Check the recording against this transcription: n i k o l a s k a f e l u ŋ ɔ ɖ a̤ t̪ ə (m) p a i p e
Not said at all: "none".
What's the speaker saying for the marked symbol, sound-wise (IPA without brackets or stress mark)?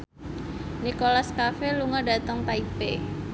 ŋ